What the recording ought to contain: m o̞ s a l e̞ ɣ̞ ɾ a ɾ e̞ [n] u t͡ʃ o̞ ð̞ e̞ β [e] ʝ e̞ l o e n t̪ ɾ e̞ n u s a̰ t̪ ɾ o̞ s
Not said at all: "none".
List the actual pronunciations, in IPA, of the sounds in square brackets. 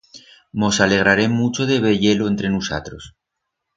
m, e

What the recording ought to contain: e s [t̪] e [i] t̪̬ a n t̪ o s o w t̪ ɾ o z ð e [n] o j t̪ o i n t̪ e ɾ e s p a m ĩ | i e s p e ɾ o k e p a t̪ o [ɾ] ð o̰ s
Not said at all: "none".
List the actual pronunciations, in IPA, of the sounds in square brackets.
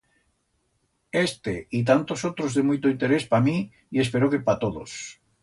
t̪, i, m, none

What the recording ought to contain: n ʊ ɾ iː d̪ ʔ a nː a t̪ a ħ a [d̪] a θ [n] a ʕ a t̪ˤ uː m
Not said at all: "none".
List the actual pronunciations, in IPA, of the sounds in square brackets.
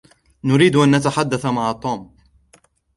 d̪ː, m

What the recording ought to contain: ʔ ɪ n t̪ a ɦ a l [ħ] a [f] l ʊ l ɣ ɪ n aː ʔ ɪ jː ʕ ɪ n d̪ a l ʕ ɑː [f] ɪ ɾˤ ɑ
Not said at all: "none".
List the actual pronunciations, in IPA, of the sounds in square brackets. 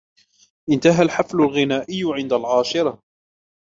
ħ, f, ʃ

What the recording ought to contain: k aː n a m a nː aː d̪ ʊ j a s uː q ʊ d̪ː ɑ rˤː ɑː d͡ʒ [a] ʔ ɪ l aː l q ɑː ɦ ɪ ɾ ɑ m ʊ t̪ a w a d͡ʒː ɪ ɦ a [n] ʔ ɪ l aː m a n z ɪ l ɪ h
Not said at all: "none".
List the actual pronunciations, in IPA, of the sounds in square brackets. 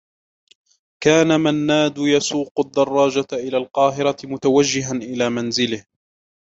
a, n

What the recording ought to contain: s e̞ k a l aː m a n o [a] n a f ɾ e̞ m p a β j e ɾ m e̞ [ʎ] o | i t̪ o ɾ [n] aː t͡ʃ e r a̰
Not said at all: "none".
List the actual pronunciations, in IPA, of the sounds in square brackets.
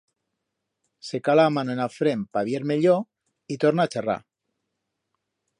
e, ʎ, n

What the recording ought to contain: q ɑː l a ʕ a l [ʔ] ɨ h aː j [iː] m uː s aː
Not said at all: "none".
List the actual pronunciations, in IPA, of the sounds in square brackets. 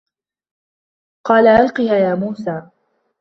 q, aː

